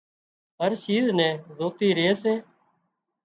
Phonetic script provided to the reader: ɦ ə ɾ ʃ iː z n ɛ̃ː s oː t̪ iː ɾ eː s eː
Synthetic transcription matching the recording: ɦ ə ɾ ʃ iː z n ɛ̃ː z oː t̪ iː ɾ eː s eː

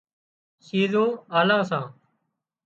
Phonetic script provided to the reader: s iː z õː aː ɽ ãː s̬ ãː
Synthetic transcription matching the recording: s iː z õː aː l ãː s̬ ãː

